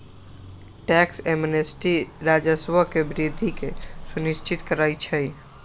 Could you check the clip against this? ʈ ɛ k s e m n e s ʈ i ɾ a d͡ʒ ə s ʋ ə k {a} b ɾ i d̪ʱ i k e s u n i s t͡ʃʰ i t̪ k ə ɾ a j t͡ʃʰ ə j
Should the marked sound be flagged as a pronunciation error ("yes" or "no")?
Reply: yes